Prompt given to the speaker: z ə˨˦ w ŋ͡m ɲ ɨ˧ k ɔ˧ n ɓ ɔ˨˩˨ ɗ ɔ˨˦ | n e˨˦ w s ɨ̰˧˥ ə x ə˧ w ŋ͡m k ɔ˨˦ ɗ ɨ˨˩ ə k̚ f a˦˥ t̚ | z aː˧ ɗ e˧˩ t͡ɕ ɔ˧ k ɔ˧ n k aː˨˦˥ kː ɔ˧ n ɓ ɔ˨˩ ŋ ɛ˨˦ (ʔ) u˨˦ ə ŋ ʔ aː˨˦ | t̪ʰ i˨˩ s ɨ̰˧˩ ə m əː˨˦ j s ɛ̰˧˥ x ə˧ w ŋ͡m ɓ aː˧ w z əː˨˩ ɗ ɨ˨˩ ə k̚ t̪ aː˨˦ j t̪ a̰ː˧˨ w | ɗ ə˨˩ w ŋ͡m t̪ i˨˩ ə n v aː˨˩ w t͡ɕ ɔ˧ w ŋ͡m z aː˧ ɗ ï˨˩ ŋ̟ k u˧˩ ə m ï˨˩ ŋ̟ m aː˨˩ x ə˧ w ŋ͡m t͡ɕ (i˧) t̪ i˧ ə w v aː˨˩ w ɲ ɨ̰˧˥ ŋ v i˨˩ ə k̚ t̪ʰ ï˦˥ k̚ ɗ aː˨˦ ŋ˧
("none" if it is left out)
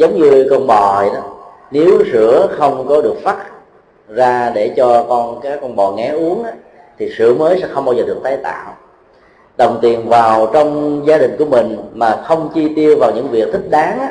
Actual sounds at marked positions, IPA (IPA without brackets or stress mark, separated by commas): ʔ, i˧